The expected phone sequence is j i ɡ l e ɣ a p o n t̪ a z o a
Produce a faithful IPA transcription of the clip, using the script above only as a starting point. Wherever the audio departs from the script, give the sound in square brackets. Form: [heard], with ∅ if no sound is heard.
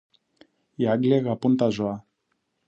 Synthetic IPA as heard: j [a] ɡ l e ɣ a p [u] n t̪ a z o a